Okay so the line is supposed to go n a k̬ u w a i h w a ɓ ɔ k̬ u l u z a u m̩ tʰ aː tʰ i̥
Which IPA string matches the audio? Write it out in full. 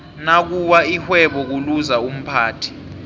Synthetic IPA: n a k̬ u w a i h w ɛ ɓ ɔ k̬ u l u z a u m̩ pʰ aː tʰ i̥